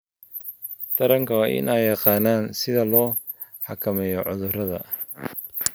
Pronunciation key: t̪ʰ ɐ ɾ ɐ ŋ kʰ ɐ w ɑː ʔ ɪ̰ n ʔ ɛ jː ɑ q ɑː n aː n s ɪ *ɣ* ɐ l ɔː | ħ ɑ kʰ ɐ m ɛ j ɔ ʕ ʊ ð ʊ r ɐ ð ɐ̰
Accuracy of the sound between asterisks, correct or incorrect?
incorrect